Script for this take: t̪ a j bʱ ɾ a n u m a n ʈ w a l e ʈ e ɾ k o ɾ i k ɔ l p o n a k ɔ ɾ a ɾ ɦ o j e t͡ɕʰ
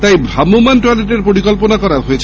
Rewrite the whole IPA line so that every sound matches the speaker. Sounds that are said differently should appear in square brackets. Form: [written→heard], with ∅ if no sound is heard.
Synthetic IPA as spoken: t̪ a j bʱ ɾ a [n→m] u m a n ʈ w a l e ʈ e ɾ [k→p] o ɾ i k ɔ l p o n a k ɔ ɾ a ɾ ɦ o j e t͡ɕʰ